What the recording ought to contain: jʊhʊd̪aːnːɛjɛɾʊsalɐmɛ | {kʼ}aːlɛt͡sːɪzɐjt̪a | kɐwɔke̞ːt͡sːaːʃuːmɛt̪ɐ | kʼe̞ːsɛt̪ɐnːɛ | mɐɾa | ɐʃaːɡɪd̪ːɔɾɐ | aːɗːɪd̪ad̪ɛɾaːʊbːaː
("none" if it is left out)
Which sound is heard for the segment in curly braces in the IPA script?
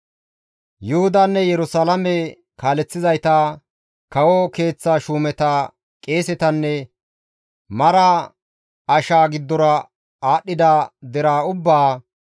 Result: k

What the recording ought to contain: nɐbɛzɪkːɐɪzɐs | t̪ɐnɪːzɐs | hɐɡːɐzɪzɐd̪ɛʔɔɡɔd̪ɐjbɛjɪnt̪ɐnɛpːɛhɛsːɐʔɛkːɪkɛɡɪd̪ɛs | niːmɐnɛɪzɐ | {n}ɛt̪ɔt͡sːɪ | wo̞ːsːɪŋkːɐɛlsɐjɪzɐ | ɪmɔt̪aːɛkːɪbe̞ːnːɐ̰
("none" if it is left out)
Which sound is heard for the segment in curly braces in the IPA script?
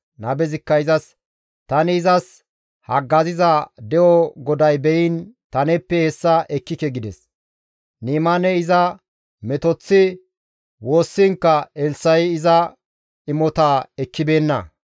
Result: m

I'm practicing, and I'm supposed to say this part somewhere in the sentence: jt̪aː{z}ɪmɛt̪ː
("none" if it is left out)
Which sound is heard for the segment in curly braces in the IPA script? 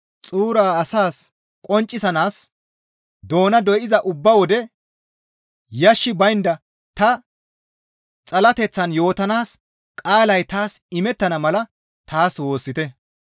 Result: s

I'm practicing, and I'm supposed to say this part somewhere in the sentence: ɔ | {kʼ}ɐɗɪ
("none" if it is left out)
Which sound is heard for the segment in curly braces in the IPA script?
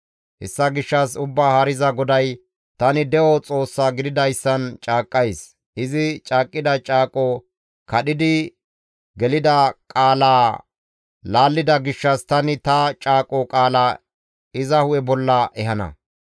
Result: k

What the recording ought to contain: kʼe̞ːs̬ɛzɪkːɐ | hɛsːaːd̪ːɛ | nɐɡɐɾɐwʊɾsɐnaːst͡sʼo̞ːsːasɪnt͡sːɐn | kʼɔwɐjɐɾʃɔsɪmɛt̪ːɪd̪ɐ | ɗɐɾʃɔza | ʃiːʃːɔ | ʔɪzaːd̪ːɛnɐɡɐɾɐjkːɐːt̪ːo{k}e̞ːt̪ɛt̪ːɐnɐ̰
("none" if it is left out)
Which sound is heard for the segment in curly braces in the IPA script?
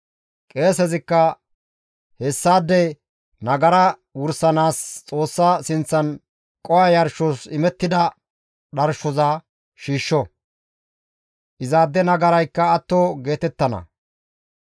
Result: ɡ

